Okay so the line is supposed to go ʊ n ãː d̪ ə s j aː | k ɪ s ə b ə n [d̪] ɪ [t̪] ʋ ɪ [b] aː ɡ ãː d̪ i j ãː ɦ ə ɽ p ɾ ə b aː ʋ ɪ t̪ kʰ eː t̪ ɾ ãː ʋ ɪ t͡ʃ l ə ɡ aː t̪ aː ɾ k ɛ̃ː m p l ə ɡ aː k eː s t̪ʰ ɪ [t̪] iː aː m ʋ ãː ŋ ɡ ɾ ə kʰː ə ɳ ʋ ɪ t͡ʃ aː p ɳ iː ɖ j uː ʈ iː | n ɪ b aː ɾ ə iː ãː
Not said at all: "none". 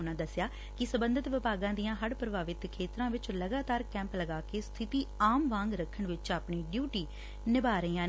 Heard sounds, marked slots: d̪, t̪, p, t̪

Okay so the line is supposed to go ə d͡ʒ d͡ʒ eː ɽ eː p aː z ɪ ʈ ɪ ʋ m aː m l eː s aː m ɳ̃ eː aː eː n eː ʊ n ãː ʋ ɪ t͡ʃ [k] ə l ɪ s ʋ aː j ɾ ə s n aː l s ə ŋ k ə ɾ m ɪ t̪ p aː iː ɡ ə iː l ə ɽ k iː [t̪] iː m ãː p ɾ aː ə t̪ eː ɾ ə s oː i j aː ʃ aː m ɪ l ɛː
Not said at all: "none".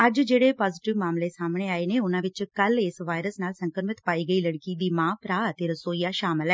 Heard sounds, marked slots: k, d̪

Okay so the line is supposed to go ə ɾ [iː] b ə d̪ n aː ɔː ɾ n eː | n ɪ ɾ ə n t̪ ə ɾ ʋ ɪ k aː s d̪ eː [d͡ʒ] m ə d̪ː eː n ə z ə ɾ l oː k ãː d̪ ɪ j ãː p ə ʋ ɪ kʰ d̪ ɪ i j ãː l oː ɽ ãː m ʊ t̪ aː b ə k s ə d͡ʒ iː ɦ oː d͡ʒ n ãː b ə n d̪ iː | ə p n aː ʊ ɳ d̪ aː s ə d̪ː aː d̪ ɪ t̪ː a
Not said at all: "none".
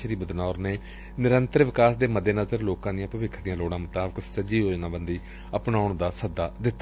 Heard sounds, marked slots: iː, none

